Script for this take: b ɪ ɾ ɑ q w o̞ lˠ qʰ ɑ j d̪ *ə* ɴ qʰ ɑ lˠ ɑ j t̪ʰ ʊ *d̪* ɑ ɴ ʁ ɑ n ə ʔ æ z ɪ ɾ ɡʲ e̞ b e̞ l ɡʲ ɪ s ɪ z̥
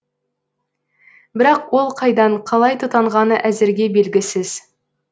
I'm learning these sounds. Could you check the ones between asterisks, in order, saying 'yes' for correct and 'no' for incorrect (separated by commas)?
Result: no, no